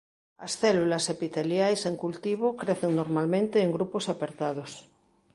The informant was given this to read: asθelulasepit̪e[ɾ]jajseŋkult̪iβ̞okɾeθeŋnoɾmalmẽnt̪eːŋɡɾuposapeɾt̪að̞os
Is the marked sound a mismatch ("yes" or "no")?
yes